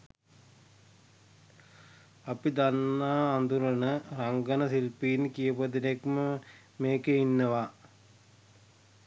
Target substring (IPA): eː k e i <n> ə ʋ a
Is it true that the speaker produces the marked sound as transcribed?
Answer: no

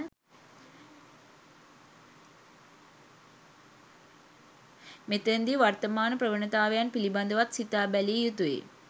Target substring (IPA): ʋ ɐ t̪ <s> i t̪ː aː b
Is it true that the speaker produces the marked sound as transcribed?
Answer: yes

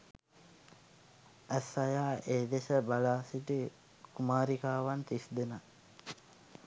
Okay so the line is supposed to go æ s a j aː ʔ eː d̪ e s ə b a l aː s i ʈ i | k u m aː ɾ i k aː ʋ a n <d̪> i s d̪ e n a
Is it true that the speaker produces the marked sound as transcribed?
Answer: no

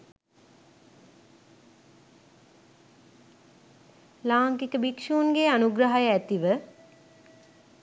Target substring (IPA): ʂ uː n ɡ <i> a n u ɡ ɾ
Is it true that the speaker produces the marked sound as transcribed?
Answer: no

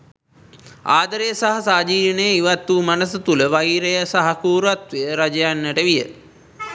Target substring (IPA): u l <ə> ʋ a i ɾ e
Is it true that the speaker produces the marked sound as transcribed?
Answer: yes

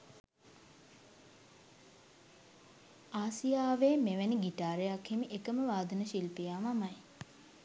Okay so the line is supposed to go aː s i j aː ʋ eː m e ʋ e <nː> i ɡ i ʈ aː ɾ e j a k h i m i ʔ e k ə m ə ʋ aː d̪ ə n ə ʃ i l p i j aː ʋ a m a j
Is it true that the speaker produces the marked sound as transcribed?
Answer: no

